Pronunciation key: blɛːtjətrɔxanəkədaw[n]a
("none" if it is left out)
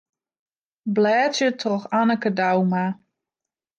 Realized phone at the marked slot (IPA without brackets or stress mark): m